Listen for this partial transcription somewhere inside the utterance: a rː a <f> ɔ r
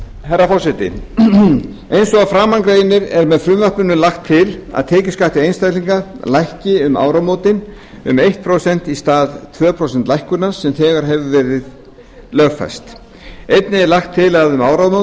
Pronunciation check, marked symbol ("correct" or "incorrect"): correct